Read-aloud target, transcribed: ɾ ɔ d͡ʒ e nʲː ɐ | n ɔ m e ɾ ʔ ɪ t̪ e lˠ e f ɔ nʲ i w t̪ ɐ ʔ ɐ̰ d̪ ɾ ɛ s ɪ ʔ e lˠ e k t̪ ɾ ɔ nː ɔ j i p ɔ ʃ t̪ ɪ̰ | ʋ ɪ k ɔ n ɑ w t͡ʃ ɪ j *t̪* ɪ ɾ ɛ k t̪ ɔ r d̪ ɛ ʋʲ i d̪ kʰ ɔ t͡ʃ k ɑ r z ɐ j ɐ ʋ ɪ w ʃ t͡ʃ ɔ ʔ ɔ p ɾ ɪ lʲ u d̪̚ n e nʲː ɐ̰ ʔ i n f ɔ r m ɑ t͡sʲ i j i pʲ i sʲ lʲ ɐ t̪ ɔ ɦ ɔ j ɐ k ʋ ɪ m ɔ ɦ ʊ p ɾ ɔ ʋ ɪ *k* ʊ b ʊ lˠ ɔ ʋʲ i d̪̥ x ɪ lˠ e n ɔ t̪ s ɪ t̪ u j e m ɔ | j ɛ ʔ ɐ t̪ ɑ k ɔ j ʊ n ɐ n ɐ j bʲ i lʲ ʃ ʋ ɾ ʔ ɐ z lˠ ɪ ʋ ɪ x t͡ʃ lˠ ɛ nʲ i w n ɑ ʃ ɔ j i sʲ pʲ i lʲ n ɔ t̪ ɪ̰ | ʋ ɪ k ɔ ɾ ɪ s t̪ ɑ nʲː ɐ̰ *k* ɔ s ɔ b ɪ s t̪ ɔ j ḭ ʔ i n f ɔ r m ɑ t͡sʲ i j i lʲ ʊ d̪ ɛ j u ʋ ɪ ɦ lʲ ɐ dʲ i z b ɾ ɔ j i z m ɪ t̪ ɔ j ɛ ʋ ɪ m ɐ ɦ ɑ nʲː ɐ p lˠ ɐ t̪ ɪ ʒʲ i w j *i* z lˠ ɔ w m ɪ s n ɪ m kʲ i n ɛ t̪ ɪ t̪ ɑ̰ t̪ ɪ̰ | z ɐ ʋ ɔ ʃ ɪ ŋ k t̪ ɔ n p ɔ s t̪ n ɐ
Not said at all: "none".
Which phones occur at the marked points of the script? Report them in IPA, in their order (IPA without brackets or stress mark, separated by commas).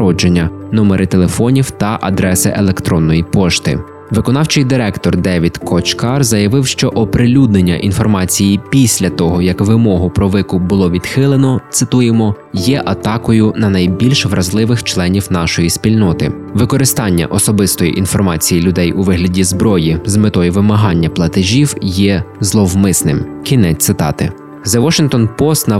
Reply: d̪, k, ʔ, ɛ